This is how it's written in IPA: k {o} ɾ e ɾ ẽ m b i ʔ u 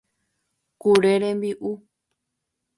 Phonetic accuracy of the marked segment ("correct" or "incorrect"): incorrect